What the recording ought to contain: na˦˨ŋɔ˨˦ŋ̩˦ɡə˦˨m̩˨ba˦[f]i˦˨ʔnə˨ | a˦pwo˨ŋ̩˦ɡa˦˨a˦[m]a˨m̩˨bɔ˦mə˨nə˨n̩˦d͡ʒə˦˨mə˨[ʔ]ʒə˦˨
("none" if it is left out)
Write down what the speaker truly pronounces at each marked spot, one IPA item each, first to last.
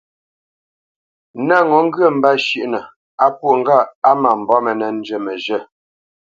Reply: ʃ, m, none

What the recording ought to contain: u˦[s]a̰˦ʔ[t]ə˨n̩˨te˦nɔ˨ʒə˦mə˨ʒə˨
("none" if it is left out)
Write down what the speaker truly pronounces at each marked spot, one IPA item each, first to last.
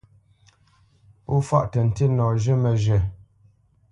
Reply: f, t

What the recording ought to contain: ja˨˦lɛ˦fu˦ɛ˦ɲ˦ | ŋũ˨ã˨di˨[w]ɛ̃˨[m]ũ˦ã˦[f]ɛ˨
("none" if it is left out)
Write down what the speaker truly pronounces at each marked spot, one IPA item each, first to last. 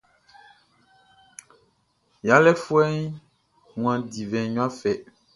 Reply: v, ɲ, f

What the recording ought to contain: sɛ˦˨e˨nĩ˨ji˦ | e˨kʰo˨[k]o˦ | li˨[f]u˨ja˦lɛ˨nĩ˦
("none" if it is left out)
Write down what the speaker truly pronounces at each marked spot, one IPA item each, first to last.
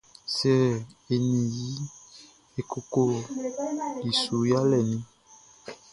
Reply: k, s

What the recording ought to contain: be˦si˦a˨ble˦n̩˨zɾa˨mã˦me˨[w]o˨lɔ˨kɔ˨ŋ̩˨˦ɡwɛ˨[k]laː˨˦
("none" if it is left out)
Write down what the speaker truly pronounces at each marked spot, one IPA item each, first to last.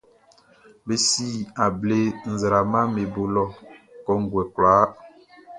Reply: b, k

